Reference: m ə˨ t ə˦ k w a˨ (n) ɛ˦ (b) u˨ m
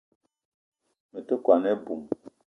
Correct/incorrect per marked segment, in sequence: correct, correct

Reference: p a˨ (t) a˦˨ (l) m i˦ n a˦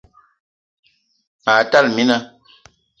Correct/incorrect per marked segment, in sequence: correct, correct

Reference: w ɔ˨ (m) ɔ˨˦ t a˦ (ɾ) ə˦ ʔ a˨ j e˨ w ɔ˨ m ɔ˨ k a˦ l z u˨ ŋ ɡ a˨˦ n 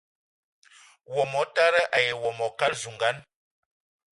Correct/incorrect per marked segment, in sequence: correct, correct

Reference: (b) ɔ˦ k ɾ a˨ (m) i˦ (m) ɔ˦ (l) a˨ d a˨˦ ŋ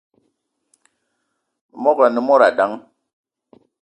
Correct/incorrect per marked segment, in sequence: incorrect: m, incorrect: n, correct, incorrect: ɾ

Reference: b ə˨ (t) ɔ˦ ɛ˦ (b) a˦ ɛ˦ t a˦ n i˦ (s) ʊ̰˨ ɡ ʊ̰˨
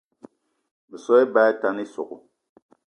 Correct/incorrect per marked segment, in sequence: incorrect: s, correct, correct

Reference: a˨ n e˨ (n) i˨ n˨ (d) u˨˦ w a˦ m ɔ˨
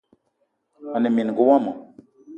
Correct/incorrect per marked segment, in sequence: incorrect: m, incorrect: ɡ

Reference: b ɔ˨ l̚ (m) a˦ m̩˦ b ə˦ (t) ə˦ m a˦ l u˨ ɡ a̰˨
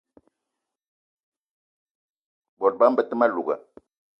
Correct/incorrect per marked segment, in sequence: incorrect: b, correct

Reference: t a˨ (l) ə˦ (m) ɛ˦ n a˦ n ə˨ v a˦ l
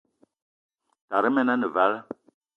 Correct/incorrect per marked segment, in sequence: incorrect: ɾ, correct

